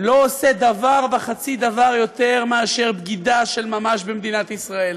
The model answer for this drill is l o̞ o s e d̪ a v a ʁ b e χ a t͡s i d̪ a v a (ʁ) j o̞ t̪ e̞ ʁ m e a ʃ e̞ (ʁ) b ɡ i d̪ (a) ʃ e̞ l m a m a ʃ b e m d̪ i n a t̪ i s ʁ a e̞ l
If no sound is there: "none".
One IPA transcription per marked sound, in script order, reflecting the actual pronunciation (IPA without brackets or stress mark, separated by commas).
ʁ, ʁ, a